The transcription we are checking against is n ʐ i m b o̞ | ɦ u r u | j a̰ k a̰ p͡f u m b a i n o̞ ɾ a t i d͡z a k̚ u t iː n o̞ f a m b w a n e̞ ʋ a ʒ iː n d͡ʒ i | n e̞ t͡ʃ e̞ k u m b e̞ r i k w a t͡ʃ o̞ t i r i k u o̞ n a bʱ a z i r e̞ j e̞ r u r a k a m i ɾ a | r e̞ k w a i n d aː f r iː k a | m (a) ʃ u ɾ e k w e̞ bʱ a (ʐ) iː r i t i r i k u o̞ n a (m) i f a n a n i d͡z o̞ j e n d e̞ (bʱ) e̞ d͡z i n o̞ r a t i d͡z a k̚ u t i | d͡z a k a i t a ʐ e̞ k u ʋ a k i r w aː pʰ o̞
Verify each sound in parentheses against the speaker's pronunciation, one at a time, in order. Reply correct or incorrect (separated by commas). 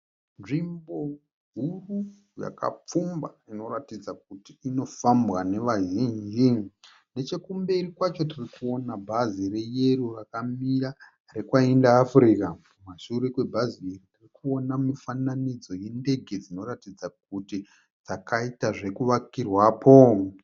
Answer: correct, incorrect, correct, incorrect